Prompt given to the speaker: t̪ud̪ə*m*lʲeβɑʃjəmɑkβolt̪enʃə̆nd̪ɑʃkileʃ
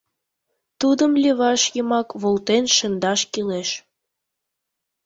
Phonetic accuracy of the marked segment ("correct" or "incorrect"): correct